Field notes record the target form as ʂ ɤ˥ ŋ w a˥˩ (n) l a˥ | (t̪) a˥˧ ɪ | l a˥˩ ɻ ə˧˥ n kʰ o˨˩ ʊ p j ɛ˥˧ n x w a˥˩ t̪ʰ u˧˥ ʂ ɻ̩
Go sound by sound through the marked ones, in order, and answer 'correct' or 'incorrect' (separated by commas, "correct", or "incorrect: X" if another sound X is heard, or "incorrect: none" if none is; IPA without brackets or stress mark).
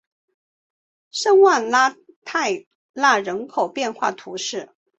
correct, incorrect: t̪ʰ